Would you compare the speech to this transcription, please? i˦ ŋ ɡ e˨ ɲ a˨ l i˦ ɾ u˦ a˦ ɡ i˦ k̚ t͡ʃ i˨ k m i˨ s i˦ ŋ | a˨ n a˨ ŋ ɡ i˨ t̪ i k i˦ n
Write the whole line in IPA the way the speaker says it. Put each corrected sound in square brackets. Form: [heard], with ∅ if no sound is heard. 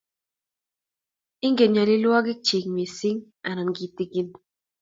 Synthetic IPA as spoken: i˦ ŋ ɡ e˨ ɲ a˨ l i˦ [l] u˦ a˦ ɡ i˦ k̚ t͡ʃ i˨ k m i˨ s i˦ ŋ | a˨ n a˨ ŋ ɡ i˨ t̪ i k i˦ n